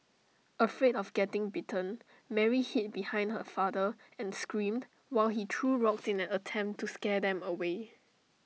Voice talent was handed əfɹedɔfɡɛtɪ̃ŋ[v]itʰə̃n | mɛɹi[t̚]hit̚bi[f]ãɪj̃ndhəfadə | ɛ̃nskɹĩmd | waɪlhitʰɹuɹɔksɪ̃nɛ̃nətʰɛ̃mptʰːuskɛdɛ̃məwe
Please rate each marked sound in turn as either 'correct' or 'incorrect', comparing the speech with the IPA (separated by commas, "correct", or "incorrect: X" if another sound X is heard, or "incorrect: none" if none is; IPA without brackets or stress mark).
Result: incorrect: b, incorrect: none, incorrect: h